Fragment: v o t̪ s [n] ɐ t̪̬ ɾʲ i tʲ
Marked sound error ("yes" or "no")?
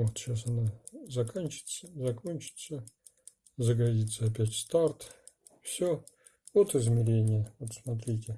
yes